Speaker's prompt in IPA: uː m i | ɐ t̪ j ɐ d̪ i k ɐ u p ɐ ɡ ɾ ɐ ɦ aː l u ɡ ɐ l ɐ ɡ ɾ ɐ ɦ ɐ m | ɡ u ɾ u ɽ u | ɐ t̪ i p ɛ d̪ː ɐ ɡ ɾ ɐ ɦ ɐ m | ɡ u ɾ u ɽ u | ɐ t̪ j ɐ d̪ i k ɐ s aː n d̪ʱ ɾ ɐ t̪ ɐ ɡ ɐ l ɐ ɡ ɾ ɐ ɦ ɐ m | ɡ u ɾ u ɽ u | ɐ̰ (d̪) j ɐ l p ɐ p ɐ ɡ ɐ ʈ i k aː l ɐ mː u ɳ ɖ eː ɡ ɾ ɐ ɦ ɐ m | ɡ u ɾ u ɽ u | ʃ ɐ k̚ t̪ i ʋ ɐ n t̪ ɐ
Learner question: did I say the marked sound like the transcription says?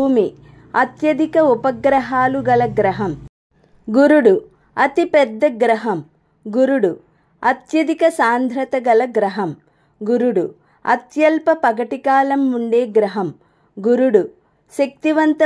no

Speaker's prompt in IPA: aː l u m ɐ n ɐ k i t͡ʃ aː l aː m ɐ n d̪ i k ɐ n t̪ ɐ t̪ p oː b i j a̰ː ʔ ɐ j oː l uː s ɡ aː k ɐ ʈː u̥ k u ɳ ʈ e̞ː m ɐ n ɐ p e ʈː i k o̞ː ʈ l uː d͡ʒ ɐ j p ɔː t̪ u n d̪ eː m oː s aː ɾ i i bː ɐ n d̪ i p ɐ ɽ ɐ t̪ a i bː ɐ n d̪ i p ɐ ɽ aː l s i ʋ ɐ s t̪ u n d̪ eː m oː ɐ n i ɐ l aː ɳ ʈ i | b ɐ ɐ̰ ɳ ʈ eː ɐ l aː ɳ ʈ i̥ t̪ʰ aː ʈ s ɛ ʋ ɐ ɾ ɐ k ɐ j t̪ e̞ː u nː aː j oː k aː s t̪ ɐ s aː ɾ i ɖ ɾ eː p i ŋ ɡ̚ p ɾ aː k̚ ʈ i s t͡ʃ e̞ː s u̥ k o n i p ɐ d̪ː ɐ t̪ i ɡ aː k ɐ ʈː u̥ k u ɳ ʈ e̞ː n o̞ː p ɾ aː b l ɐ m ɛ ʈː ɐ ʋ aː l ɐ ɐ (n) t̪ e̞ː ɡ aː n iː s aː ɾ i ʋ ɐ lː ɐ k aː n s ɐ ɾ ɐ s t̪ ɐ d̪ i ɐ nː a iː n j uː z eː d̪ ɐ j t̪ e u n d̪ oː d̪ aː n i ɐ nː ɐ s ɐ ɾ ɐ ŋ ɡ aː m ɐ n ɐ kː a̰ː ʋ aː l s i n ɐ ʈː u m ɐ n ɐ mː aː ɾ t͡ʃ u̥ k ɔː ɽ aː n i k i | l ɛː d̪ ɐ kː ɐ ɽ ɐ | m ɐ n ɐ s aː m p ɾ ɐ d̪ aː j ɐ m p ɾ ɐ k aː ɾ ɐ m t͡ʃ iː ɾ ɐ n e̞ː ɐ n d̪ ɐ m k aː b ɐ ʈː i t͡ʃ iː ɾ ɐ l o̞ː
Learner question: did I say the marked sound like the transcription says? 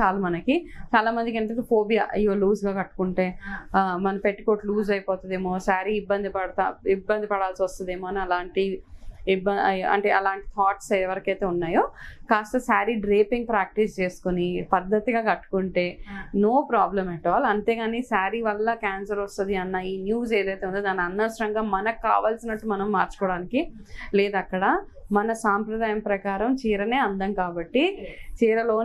yes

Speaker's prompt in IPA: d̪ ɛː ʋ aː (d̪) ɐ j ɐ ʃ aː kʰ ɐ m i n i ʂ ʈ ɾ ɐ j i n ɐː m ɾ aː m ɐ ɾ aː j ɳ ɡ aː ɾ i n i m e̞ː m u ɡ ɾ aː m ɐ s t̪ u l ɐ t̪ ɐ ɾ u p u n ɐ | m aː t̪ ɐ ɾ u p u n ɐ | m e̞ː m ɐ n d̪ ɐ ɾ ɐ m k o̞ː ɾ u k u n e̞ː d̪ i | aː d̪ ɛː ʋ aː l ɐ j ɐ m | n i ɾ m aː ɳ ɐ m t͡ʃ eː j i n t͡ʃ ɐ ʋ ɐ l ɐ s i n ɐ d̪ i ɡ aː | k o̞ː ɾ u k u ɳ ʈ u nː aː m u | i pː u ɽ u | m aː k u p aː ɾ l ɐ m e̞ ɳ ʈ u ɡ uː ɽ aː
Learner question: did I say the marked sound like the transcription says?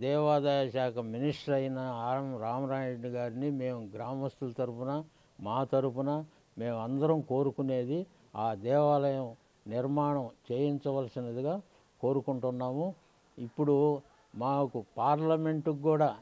yes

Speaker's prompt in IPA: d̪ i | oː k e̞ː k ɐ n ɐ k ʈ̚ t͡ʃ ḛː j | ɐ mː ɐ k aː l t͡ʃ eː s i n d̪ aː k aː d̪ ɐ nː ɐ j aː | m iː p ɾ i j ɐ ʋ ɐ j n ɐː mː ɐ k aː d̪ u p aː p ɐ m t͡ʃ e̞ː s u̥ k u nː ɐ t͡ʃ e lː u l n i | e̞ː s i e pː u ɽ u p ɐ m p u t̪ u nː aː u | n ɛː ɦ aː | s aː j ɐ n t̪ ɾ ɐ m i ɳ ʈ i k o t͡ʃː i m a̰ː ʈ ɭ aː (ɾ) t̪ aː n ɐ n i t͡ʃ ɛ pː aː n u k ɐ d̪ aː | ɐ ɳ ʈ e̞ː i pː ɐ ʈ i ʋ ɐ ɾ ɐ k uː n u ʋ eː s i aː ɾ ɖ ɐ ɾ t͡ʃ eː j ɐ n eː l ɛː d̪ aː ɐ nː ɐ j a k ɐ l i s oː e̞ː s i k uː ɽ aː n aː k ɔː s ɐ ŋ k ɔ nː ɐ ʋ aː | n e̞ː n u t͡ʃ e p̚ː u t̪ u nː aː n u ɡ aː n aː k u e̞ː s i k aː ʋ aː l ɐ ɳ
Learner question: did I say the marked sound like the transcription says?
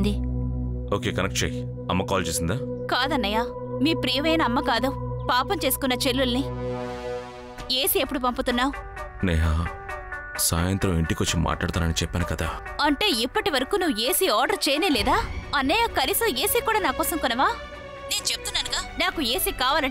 no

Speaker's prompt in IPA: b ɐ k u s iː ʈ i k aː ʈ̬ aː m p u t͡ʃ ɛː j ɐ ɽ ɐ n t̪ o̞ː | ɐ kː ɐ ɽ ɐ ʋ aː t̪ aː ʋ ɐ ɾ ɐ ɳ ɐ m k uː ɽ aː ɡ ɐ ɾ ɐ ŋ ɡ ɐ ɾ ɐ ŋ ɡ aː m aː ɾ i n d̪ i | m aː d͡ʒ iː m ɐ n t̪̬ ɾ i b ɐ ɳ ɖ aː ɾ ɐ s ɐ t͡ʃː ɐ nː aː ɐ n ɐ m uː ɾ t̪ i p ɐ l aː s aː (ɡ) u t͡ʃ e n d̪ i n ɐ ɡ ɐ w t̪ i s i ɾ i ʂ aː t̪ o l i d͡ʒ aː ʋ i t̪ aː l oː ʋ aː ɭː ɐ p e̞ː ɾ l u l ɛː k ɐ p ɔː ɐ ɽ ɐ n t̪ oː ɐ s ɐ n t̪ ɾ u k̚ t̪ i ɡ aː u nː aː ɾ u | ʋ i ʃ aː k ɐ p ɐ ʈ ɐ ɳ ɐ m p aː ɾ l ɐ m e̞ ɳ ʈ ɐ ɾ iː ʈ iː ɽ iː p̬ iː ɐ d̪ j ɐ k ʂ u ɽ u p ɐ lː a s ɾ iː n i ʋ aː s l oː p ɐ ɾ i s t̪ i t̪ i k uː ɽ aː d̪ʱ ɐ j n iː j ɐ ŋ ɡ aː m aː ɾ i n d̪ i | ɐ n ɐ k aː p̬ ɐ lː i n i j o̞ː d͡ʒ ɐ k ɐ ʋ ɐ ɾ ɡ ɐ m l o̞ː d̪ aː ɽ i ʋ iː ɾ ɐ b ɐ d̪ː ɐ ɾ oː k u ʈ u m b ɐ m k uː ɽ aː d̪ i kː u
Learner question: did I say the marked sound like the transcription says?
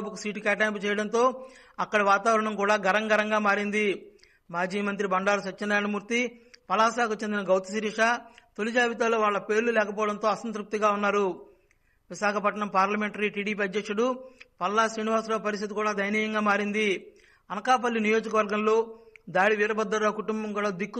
no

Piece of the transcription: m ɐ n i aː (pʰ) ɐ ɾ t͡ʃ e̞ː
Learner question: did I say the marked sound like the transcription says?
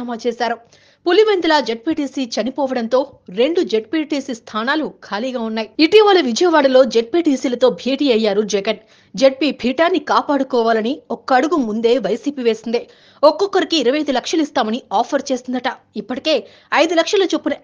yes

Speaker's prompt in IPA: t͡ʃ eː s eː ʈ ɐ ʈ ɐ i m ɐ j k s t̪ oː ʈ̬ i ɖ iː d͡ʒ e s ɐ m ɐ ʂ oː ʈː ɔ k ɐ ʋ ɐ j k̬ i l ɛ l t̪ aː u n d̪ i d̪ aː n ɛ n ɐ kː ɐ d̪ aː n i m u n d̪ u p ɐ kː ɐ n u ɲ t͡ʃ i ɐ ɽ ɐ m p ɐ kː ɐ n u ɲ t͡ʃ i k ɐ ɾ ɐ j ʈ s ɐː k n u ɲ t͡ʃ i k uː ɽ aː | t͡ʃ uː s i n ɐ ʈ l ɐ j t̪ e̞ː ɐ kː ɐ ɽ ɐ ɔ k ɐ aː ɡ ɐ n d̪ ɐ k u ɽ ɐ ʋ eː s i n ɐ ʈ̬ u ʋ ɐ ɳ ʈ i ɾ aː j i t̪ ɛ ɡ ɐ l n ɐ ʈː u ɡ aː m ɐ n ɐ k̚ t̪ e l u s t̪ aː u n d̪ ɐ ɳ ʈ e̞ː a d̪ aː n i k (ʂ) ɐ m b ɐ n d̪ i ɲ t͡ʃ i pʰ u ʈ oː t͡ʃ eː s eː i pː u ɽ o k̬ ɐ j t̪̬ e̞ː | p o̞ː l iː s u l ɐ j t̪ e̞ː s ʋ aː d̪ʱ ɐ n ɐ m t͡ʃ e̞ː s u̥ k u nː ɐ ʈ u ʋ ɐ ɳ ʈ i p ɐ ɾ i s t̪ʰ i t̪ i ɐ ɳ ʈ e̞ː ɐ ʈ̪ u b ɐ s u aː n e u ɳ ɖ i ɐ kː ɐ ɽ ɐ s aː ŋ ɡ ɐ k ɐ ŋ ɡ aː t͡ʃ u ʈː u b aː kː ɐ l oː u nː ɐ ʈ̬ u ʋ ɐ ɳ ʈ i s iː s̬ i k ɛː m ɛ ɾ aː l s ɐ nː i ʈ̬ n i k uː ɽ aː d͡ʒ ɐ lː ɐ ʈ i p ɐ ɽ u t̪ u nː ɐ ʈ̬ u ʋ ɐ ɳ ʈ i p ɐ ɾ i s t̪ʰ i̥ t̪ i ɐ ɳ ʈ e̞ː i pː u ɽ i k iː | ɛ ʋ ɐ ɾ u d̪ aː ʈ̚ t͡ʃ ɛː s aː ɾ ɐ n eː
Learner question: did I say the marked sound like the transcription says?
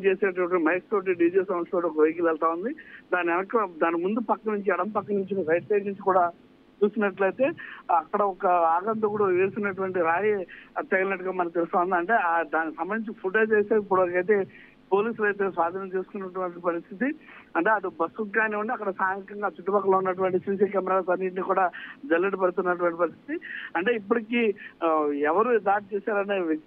no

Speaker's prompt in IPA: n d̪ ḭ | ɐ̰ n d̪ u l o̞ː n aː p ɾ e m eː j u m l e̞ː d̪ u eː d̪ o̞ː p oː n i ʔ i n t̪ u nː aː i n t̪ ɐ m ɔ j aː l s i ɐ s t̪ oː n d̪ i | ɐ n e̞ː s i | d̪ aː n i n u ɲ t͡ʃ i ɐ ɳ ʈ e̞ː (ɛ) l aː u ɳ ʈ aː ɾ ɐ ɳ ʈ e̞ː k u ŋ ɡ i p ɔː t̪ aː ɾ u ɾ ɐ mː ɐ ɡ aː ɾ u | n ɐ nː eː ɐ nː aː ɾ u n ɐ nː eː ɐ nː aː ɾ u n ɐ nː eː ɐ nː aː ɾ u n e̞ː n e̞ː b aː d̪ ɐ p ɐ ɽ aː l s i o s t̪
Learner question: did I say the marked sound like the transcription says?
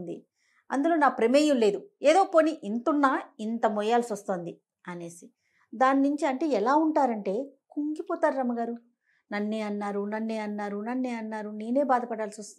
yes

